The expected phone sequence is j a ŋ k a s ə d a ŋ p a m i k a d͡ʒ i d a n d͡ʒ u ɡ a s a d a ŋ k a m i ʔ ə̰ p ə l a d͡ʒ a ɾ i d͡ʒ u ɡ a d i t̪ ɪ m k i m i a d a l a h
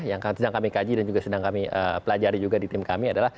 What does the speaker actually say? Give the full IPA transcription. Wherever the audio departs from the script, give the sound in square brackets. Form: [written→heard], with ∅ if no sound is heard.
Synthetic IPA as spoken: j a ŋ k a s ə d a ŋ [p→k] a m i k a d͡ʒ i d a n d͡ʒ u ɡ a s [a→ə] d a ŋ k a m i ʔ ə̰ p ə l a d͡ʒ a ɾ i d͡ʒ u ɡ a d i t̪ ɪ m k [i→a] m i a d a l a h